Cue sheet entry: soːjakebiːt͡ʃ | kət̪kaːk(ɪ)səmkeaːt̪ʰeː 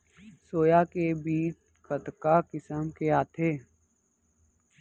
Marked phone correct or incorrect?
correct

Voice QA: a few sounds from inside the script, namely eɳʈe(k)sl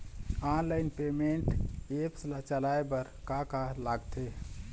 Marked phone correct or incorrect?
incorrect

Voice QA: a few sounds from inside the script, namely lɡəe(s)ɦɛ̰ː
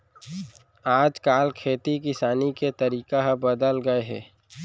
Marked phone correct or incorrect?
incorrect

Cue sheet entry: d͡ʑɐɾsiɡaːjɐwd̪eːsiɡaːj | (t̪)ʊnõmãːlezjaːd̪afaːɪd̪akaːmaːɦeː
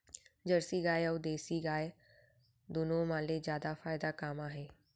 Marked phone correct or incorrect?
incorrect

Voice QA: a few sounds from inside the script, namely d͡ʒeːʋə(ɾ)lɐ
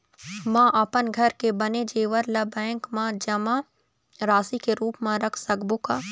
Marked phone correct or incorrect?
correct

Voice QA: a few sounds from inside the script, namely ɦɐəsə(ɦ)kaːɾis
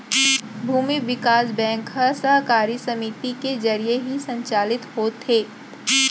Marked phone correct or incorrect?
correct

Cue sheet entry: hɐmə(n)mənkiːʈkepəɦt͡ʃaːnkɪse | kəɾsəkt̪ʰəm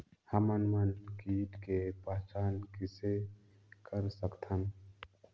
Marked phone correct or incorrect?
correct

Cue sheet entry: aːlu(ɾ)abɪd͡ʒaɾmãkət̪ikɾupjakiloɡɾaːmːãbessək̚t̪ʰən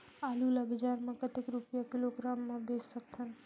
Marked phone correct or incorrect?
incorrect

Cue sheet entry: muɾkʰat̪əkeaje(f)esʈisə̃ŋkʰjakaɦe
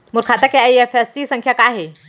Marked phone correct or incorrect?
correct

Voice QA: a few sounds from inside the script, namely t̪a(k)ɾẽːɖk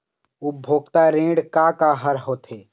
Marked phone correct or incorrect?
incorrect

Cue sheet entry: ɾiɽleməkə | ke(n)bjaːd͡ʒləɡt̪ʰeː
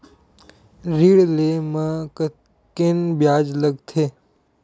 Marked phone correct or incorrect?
correct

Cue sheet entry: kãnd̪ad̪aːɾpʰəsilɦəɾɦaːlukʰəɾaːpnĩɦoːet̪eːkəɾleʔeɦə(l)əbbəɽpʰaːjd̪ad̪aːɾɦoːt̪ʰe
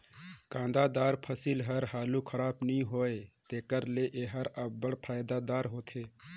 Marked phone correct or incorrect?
incorrect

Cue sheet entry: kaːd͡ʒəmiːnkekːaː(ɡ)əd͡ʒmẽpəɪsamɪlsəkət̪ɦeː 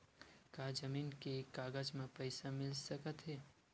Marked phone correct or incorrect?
correct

